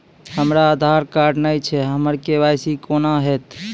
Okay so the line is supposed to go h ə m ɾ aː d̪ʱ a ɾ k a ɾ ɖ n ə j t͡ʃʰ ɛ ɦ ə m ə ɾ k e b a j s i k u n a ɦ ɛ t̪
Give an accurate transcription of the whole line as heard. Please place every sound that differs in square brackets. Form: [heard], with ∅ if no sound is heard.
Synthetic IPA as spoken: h ə m ɾ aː d̪ʱ a ɾ k a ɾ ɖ n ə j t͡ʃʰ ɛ ɦ ə m ə ɾ k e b a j s i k [o] n a ɦ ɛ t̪